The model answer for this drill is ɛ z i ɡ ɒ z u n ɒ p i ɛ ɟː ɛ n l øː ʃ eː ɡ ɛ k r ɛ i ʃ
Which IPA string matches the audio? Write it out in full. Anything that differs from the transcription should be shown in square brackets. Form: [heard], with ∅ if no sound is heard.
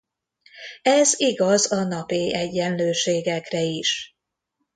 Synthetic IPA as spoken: ɛ z i ɡ ɒ z [ɒ] n ɒ p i ɛ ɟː ɛ n l øː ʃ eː ɡ ɛ k r ɛ i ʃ